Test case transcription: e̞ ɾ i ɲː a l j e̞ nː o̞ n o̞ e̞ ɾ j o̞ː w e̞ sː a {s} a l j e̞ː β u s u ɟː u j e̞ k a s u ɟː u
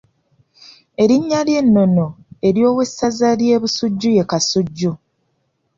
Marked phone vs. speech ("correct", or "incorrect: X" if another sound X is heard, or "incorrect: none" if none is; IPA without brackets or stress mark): incorrect: z